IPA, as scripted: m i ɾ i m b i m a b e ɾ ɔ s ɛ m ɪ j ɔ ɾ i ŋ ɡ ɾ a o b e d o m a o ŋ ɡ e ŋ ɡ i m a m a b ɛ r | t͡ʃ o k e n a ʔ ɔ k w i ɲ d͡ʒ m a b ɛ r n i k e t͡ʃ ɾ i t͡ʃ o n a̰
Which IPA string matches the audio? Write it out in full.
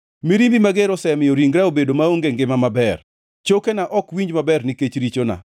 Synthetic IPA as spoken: m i ɾ i m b i m a ɡ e ɾ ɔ s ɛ m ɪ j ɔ ɾ i ŋ ɡ ɾ a o b e d o m a o ŋ ɡ e ŋ ɡ ɪ m a m a b ɛ r | t͡ʃ o k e n a ʔ ɔ k w i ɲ d͡ʒ m a b ɛ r n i k e t͡ʃ ɾ i t͡ʃ o n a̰